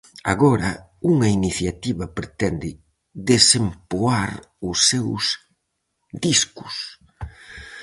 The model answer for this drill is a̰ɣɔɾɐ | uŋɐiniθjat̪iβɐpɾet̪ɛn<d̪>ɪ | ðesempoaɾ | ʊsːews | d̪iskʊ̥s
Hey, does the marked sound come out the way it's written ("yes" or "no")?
yes